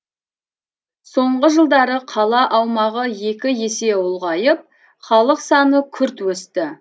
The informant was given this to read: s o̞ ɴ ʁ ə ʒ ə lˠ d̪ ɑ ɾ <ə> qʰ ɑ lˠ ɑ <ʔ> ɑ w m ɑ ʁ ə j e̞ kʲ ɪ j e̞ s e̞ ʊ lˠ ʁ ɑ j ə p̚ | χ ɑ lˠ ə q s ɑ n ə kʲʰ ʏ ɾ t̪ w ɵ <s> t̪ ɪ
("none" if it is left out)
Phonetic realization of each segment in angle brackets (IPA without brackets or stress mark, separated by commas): ə, ʔ, s